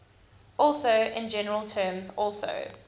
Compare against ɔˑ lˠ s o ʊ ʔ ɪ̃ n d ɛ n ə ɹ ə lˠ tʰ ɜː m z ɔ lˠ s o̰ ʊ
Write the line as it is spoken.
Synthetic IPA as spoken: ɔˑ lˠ s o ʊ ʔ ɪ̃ n d͡ʒ ɛ n ə ɹ ə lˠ tʰ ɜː m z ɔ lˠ s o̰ ʊ